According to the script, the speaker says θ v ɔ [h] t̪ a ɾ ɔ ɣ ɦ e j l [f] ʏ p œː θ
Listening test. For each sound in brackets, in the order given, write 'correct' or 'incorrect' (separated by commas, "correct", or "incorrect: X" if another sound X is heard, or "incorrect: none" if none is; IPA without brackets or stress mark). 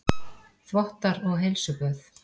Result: correct, incorrect: s